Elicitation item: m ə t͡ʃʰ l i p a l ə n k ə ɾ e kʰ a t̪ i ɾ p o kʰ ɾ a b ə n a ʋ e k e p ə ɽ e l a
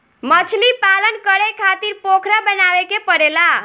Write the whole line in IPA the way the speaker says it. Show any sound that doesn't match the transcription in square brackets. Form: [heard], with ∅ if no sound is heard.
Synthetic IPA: m ə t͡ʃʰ l i p a l ə n k ə ɾ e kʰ a t̪ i ɾ p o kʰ ɾ a b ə n a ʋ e k e p ə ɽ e l a